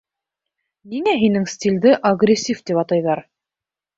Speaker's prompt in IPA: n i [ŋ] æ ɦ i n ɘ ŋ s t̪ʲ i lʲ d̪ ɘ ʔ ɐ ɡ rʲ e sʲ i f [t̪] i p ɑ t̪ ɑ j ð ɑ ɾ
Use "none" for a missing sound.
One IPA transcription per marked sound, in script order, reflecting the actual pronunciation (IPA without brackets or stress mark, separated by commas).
ŋ, t̪